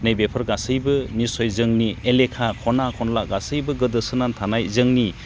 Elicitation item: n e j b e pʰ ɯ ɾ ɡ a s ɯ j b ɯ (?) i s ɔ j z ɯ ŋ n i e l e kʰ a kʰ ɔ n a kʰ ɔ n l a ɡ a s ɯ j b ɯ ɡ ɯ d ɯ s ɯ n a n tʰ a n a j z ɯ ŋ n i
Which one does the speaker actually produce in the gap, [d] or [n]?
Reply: n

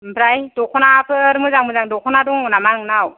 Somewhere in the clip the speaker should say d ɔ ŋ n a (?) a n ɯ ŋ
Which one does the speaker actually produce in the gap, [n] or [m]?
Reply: m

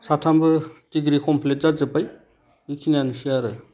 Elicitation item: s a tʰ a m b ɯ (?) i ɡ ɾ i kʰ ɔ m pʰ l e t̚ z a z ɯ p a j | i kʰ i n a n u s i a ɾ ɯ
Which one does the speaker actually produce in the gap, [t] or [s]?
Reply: t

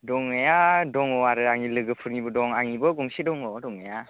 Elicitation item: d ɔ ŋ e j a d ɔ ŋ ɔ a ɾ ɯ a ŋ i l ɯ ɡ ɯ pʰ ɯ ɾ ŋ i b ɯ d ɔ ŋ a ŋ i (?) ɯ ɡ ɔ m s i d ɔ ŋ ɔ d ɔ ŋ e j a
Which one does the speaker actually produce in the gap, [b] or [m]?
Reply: b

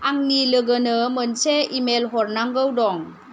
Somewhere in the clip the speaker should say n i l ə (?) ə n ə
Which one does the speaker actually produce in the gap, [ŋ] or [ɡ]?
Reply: ɡ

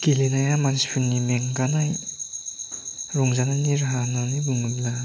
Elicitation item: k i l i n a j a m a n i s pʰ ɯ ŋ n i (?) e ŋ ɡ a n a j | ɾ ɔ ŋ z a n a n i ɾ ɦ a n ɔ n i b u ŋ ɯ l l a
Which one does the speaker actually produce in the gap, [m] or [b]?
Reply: m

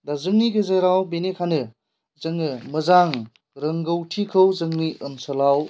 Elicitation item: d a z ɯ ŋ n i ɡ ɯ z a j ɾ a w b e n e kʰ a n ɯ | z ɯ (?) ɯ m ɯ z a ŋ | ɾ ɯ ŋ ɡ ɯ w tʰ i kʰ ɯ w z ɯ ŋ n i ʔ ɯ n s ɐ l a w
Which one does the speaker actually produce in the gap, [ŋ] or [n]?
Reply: ŋ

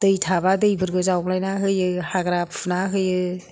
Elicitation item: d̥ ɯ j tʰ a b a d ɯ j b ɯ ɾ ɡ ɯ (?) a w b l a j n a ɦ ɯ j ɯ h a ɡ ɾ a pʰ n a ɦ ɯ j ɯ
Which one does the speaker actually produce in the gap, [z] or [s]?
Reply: z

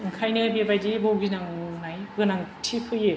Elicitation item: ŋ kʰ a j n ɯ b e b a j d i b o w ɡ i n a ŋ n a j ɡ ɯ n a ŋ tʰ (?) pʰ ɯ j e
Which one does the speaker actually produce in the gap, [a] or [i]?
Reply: i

